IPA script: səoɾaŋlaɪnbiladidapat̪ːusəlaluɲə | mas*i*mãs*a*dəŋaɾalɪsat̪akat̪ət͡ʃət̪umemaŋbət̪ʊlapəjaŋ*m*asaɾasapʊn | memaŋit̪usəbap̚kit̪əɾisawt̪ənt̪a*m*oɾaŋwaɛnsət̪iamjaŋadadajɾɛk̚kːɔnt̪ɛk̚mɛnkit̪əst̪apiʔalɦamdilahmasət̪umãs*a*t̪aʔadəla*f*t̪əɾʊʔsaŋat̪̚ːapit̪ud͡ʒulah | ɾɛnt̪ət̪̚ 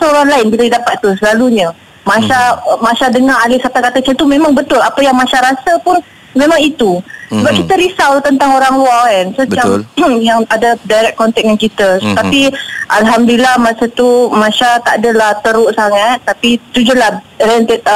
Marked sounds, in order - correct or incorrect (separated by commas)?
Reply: incorrect, correct, correct, incorrect, correct, incorrect